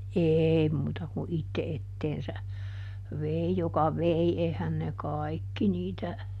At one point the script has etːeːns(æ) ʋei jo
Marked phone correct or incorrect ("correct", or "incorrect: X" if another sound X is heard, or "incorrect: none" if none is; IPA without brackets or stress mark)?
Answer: correct